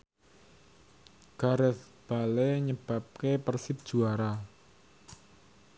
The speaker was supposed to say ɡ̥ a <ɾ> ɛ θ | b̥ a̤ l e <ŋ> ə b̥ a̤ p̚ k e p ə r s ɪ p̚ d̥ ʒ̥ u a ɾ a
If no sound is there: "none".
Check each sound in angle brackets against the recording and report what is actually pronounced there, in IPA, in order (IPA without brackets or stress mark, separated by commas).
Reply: ɾ, ɲ